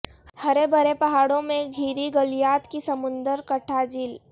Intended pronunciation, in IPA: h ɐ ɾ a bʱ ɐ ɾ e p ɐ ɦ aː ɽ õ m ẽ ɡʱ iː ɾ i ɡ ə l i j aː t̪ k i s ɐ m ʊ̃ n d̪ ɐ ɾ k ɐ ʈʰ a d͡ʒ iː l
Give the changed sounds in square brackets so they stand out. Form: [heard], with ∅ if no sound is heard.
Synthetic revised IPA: h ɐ ɾ [e] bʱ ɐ ɾ e p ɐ ɦ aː ɽ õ m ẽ ɡʱ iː ɾ i ɡ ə l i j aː t̪ k i s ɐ m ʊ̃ n d̪ [ə] ɾ k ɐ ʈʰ a d͡ʒ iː l